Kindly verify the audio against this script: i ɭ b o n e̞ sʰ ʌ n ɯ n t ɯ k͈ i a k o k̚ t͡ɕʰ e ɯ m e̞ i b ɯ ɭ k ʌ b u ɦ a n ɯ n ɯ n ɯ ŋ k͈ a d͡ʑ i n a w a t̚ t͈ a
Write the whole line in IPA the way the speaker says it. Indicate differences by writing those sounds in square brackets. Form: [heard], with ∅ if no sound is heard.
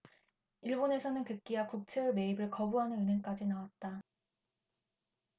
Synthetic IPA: i ɭ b o n e̞ sʰ ʌ n ɯ n [k] ɯ k͈ i a k [u] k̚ t͡ɕʰ e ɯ m e̞ i b ɯ ɭ k ʌ b u ɦ a n ɯ n ɯ n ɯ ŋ k͈ a d͡ʑ i n a w a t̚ t͈ a